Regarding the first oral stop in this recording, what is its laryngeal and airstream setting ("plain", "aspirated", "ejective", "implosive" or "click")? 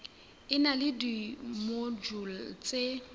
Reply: plain